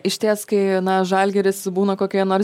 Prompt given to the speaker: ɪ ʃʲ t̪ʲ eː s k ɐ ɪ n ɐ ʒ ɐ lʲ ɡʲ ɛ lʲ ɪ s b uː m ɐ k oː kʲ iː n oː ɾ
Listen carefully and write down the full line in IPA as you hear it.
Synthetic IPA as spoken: ɪ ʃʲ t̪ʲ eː s k ɐ ɪ n ɐ ʒ ɐ lʲ ɡʲ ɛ ɾʲ ɪ s b uː n ɐ k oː kʲ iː n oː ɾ